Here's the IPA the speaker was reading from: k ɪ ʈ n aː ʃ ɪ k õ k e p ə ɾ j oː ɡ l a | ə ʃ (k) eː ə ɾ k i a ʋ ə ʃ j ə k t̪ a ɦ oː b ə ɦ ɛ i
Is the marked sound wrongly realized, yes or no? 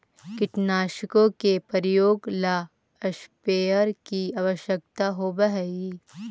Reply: yes